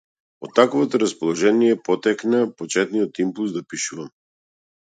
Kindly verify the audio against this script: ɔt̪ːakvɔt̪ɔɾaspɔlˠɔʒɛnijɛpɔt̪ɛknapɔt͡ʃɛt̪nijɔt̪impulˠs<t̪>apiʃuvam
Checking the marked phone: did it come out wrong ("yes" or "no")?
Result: yes